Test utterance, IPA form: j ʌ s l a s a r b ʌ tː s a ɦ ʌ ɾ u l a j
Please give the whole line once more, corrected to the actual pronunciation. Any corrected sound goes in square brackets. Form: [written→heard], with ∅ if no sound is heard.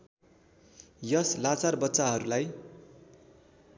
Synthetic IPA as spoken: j ʌ s l a [s→t͡s] a r b ʌ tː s a ɦ ʌ ɾ u l a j